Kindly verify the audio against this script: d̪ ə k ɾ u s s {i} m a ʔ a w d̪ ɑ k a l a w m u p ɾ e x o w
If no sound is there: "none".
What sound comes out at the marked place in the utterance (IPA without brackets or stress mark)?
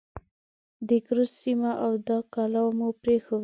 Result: i